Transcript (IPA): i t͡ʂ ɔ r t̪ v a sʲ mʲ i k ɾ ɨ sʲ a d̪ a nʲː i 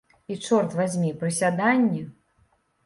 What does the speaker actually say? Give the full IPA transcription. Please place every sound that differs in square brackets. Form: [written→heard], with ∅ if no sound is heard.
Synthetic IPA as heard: i t͡ʂ ɔ r t̪ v a [sʲ→zʲ] mʲ i [k→p] ɾ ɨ sʲ a d̪ a nʲː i